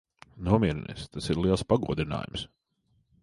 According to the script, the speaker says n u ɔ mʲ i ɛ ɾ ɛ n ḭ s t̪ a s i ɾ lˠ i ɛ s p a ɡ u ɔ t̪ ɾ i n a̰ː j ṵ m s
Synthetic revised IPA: n u ɔ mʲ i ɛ ɾ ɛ n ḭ s t̪ a s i ɾ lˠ i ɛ s p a ɡ u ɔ d̪ ɾ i n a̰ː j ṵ m s